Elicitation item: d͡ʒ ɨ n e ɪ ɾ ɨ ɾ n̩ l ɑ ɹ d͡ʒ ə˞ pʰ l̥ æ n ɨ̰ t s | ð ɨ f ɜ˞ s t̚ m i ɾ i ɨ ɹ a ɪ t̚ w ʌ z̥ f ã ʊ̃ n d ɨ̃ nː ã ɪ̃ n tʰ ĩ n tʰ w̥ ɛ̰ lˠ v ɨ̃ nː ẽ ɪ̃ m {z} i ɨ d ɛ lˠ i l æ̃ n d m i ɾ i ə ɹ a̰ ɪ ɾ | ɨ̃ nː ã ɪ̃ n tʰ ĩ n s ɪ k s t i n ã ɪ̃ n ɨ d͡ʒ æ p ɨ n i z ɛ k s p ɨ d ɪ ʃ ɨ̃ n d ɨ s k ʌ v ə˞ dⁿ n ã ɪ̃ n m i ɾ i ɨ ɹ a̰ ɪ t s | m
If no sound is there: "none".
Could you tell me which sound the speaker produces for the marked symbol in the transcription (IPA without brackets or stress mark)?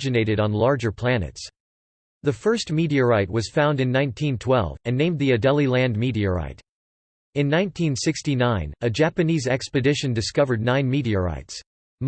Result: ð